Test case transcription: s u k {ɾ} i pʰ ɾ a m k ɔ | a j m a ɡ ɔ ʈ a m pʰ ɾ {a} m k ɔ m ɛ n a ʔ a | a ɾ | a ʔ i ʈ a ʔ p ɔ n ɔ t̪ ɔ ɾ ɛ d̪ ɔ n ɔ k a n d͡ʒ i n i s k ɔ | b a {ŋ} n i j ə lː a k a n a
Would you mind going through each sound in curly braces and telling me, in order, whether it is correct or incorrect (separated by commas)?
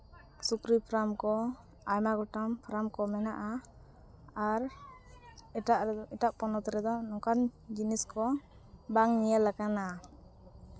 correct, correct, correct